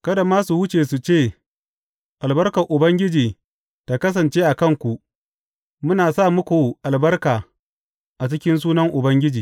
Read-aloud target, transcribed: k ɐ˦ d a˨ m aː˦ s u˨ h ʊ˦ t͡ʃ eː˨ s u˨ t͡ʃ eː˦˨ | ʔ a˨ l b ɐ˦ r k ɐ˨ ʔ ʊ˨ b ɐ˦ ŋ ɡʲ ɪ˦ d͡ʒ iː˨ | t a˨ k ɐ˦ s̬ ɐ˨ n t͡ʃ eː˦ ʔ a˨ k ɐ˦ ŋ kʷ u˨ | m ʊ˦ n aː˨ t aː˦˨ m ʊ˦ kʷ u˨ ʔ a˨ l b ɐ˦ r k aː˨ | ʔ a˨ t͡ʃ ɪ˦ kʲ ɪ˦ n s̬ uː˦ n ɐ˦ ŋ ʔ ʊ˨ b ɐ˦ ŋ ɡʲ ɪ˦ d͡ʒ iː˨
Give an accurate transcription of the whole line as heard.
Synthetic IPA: k ɐ˦ d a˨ m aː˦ s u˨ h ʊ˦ t͡ʃ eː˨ s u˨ t͡ʃ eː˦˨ | ʔ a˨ l b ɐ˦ r k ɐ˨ ʔ ʊ˨ b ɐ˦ ŋ ɡʲ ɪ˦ d͡ʒ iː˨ | t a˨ k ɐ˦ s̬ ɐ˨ n t͡ʃ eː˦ ʔ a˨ k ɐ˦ ŋ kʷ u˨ | m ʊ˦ n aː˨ s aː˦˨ m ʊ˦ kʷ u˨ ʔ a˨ l b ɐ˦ r k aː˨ | ʔ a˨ t͡ʃ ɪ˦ kʲ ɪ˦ n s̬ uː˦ n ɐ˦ ŋ ʔ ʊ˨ b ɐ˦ ŋ ɡʲ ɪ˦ d͡ʒ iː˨